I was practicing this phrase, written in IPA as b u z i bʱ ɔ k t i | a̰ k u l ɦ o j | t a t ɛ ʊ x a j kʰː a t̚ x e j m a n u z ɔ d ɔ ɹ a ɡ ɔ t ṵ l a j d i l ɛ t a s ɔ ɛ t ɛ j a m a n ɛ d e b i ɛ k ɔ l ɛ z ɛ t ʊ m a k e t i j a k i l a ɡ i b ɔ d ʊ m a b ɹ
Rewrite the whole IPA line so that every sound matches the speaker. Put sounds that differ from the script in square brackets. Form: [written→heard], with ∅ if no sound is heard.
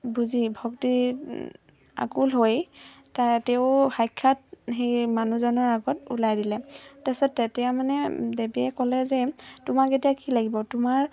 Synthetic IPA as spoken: b u z i bʱ ɔ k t i | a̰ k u l ɦ o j | t a t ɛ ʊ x a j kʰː a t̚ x e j m a n u z ɔ [d→n] ɔ ɹ a ɡ ɔ t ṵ l a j d i l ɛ t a s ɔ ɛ t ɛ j a m a n ɛ d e b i ɛ k ɔ l ɛ z ɛ t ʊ m a k e t i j a k i l a ɡ i b ɔ [d→t] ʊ m a [b→∅] ɹ